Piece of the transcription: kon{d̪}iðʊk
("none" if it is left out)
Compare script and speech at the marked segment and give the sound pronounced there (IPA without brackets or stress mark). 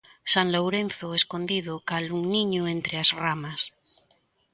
d̪